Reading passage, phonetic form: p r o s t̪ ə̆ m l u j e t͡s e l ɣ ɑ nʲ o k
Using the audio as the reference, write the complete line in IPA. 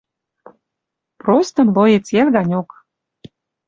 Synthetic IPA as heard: p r o s t̪ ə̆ m l o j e t͡s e l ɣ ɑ nʲ o k